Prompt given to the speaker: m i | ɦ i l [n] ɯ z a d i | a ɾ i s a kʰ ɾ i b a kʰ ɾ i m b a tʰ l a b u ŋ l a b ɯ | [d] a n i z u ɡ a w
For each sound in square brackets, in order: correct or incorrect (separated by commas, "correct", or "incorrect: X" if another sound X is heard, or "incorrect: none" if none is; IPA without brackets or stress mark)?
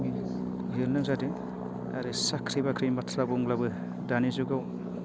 correct, correct